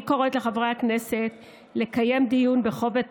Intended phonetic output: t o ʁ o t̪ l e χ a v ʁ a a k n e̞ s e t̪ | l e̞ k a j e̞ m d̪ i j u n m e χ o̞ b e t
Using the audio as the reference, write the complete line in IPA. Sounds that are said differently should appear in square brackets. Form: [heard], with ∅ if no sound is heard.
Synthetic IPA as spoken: [k] o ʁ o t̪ l e χ a v ʁ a a k n e̞ s e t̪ | l e̞ k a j e̞ m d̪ i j u n [b] e χ o̞ [v] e t